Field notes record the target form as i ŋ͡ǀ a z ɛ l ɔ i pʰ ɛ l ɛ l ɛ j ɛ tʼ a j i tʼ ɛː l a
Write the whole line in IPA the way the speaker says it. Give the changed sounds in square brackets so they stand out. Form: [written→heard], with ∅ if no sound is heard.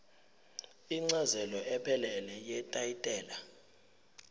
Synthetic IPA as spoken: i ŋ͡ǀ a z ɛ l ɔ [i→ɛ] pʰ ɛ l ɛ l ɛ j ɛ tʼ a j i tʼ ɛː l a